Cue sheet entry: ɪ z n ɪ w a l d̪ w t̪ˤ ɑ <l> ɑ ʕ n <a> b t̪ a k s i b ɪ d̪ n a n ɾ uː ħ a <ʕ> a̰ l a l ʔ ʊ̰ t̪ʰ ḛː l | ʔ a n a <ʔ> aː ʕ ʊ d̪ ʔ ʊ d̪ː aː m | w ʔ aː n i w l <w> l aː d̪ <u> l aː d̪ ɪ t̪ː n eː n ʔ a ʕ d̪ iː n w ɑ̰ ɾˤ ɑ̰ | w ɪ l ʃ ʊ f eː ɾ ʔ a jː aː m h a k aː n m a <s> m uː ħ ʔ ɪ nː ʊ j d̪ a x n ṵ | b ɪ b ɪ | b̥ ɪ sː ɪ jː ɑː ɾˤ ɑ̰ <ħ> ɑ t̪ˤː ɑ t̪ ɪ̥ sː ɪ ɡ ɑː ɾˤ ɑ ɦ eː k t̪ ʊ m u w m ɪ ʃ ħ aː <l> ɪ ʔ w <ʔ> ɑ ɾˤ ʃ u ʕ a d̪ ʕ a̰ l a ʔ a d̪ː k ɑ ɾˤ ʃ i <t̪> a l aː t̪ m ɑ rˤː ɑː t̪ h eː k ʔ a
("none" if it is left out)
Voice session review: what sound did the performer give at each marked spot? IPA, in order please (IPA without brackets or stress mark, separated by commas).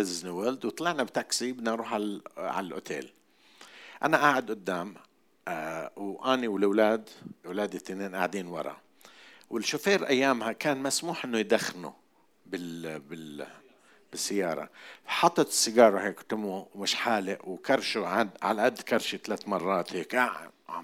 l, a, ʕ, ʔ, w, w, s, ħ, l, k, t̪